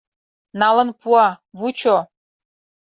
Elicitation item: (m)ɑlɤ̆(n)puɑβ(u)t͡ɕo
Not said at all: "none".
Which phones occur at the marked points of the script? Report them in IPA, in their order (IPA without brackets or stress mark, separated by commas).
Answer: n, n, u